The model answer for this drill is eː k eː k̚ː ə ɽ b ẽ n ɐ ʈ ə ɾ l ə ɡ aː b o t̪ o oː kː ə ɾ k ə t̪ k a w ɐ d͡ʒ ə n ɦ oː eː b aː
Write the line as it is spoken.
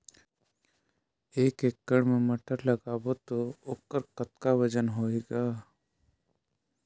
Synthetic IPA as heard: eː k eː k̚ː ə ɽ m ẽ m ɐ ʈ ə ɾ l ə ɡ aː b o t̪ o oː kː ə ɾ k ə t̪ k a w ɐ d͡ʒ ə n ɦ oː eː ɡ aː